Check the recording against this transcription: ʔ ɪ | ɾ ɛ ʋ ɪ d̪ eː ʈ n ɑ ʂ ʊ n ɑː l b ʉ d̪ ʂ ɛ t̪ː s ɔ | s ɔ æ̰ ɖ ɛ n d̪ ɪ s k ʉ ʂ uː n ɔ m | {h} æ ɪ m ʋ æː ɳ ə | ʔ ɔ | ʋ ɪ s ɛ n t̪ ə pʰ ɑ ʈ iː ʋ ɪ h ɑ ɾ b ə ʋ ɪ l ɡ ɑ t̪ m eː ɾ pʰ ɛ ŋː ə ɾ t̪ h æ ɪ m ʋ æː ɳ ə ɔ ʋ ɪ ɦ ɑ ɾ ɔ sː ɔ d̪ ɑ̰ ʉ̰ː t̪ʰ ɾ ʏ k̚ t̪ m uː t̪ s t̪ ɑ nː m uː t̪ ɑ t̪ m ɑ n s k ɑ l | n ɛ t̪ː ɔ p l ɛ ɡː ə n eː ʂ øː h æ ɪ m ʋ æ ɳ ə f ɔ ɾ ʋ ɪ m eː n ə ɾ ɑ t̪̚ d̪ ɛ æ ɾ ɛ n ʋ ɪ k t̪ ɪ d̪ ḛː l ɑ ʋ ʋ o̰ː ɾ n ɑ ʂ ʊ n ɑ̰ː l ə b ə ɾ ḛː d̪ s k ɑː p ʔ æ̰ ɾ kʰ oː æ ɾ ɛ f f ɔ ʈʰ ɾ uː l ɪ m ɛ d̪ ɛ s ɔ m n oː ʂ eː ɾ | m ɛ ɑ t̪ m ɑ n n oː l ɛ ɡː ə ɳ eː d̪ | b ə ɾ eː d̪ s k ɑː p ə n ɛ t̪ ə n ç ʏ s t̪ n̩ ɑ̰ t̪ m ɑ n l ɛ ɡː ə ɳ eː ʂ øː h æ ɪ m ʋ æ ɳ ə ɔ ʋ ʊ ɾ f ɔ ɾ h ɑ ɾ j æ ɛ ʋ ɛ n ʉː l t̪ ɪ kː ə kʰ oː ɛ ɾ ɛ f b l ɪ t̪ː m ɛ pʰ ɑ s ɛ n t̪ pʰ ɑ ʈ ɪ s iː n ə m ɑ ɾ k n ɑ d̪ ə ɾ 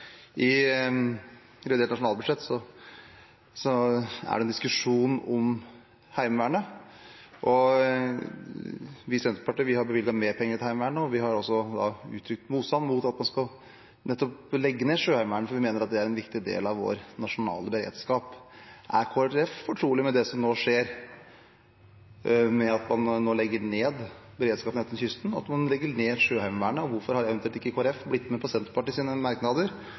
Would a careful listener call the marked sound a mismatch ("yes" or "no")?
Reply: no